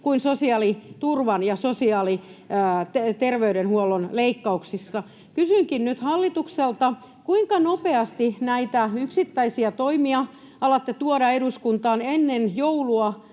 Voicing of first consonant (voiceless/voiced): voiceless